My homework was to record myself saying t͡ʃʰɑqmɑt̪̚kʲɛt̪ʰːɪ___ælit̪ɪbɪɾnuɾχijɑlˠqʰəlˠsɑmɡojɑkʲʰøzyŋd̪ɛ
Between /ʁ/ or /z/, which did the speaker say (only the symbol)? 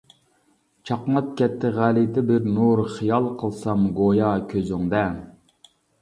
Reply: ʁ